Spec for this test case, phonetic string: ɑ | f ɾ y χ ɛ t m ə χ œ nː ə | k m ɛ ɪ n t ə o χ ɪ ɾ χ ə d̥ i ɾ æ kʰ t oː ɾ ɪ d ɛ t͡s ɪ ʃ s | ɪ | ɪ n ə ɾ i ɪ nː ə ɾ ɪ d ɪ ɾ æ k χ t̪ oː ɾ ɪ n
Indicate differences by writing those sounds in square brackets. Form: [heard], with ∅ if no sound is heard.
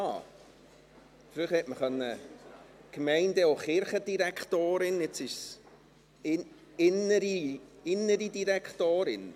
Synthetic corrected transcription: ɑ | f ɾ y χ ɛ t m ə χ œ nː ə | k m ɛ ɪ n [d] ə o χ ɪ ɾ χ ə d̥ i ɾ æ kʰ t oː ɾ ɪ [n] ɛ t͡s ɪ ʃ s | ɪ | ɪ n ə ɾ i ɪ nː ə ɾ [i] d [i] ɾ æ k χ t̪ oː ɾ ɪ n